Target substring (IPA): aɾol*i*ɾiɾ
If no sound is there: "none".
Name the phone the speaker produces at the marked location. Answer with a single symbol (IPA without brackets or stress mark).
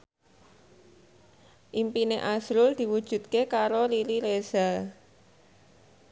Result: i